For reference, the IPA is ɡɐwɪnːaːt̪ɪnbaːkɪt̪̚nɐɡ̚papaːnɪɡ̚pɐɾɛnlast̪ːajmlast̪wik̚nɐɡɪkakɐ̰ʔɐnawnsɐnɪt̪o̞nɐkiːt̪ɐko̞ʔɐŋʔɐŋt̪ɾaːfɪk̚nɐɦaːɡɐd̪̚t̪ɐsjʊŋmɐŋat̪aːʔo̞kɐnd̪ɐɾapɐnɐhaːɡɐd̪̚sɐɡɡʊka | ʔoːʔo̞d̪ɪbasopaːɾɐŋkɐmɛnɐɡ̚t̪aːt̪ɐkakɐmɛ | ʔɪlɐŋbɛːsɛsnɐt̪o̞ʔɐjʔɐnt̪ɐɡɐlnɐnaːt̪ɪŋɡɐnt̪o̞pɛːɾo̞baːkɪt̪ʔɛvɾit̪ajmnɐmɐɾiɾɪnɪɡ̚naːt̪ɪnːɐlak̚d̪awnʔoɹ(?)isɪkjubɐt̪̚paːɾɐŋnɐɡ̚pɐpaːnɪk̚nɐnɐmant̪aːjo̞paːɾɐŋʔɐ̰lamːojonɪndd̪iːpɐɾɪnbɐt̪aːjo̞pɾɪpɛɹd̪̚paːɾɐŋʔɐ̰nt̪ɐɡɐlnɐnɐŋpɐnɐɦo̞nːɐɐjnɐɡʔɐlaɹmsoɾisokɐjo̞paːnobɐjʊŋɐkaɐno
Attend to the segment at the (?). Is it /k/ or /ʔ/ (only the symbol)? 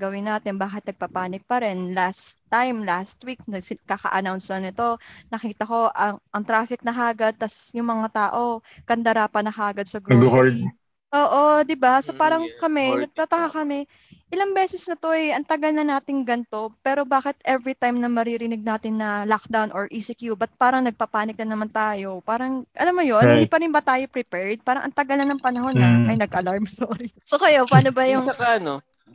ʔ